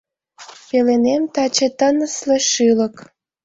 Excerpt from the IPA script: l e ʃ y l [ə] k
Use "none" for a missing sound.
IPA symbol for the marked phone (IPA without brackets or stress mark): ə